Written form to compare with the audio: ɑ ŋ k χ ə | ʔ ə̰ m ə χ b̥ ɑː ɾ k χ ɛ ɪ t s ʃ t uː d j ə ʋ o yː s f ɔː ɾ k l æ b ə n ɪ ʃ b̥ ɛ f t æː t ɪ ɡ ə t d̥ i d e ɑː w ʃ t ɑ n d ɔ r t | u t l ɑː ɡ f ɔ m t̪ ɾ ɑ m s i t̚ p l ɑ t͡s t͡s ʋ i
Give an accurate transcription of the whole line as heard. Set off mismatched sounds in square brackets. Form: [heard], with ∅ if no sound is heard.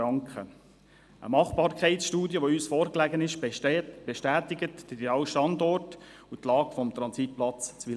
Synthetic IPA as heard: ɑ ŋ k χ ə | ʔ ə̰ m [ɑ] χ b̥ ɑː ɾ k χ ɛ ɪ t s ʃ t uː d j ə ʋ o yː s f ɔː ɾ k l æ [ɡ] ə n ɪ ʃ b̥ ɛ [ʃ] t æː t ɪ ɡ ə t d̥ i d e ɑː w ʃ t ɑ n d ɔ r t | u t l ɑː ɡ f ɔ m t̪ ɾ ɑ [n] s i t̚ p l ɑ t͡s t͡s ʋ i